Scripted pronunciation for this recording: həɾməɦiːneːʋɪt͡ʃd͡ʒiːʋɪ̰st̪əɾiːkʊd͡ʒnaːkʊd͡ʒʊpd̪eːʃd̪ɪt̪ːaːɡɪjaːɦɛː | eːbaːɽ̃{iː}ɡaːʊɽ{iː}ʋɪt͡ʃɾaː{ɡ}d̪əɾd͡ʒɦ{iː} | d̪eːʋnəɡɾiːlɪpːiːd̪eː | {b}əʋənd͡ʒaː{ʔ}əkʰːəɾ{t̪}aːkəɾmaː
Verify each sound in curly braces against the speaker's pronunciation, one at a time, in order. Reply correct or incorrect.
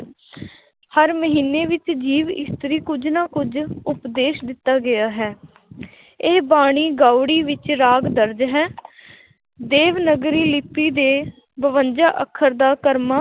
correct, correct, correct, incorrect, correct, correct, incorrect

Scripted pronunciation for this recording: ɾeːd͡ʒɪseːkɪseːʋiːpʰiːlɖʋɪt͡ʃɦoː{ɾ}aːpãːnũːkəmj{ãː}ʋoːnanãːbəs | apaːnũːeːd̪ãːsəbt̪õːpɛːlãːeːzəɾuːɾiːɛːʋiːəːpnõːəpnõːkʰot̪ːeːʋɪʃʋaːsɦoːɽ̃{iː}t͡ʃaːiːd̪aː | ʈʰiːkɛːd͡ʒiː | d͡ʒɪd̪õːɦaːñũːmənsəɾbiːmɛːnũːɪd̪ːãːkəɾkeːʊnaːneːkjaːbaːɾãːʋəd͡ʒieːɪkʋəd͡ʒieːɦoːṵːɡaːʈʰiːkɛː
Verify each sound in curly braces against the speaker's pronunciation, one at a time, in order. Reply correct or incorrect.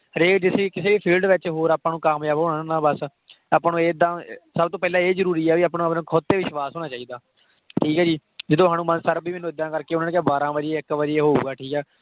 correct, incorrect, incorrect

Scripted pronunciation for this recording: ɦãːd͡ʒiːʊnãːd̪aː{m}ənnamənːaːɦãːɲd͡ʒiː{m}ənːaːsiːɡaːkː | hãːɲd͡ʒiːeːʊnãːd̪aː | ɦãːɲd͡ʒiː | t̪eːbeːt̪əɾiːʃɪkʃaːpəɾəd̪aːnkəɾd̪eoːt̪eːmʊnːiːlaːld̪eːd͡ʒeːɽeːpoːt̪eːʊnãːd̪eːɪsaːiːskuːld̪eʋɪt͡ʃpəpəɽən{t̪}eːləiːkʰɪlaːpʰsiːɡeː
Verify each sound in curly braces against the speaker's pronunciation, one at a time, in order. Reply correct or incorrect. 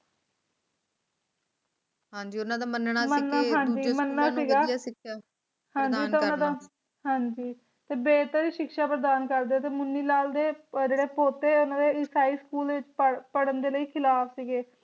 correct, correct, incorrect

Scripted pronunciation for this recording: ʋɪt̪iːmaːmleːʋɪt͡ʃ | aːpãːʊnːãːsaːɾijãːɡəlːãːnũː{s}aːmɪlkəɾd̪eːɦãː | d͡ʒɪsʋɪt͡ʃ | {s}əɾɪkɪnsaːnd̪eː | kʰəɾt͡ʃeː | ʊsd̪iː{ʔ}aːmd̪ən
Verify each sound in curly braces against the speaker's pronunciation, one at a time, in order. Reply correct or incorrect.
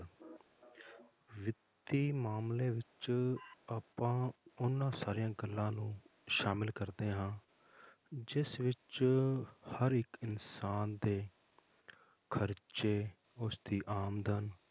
incorrect, incorrect, correct

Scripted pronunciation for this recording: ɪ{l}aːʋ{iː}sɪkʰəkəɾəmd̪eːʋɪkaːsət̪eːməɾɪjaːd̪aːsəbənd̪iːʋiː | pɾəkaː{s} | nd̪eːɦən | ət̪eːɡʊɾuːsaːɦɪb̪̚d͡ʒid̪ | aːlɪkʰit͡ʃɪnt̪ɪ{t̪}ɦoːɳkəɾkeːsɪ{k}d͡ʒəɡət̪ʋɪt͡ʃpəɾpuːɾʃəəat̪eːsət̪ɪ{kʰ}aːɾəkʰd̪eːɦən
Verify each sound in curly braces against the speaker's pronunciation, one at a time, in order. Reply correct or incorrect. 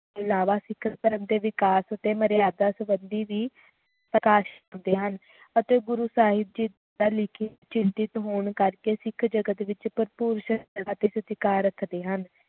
correct, incorrect, incorrect, correct, incorrect, incorrect

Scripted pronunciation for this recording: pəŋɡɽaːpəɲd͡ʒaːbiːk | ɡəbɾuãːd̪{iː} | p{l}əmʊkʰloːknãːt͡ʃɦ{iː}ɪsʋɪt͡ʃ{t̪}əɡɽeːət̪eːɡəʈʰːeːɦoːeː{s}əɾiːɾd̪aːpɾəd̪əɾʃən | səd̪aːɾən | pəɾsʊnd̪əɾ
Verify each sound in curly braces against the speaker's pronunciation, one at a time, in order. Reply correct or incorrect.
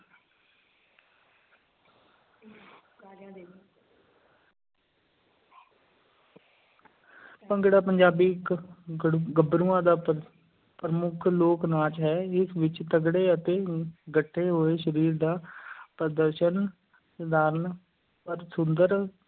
incorrect, incorrect, incorrect, correct, incorrect

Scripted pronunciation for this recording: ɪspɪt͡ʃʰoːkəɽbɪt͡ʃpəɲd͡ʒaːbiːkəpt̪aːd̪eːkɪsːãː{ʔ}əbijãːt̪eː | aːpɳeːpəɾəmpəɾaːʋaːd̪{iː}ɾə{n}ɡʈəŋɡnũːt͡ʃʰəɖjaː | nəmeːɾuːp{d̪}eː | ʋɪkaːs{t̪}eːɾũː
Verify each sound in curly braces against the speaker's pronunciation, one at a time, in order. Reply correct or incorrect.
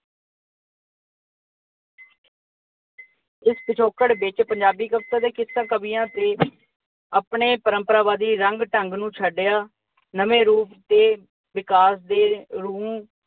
incorrect, correct, incorrect, incorrect, incorrect

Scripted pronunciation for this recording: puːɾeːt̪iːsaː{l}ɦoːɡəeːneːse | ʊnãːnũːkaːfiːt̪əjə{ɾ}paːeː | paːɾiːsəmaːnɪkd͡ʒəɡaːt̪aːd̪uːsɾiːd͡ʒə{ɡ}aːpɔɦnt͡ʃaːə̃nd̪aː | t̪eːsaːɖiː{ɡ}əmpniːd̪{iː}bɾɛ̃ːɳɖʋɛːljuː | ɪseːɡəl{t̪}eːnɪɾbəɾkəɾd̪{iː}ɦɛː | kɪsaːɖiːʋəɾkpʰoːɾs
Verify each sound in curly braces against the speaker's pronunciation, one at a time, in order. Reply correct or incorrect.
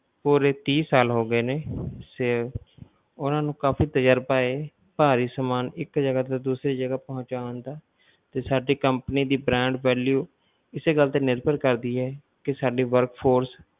correct, correct, correct, incorrect, correct, correct, correct

